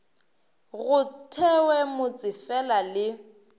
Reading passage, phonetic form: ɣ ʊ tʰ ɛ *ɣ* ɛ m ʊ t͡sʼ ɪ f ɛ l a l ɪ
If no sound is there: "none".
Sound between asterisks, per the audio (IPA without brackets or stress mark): w